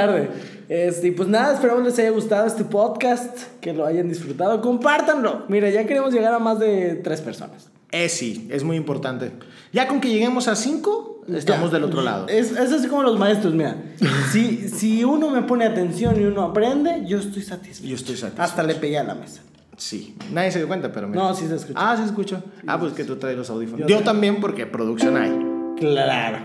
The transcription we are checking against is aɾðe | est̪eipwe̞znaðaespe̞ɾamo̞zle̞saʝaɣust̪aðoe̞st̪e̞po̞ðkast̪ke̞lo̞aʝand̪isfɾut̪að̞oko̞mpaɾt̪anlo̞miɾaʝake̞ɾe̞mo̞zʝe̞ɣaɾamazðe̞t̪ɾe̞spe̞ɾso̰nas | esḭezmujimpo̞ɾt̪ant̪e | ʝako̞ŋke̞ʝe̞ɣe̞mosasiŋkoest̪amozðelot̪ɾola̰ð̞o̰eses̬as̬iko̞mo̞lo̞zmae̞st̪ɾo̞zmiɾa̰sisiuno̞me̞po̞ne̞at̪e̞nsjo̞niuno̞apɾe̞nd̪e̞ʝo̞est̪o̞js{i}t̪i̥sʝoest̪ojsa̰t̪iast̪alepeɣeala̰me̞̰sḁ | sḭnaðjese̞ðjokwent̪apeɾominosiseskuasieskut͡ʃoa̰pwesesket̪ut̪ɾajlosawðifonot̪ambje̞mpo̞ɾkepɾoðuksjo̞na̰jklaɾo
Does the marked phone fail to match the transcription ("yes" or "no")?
yes